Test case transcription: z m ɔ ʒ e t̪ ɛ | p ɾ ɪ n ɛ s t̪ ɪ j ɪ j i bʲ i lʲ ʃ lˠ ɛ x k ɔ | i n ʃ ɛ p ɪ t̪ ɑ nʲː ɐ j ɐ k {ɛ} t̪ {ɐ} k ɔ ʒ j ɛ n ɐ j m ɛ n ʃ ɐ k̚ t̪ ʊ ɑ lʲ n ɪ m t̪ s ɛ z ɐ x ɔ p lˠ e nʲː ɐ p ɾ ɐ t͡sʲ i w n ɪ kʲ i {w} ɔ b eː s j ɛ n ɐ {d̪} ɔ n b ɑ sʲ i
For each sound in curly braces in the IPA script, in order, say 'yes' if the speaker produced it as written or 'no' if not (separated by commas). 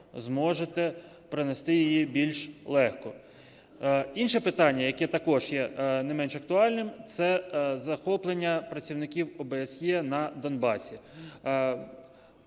yes, yes, yes, yes